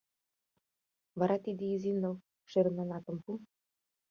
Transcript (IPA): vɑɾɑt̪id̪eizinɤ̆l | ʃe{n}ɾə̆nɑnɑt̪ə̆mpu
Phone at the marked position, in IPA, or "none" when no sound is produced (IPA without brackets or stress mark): none